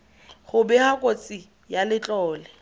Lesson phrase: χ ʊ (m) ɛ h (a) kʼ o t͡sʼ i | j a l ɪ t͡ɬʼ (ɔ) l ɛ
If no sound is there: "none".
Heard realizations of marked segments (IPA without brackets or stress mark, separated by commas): b, a, ɔː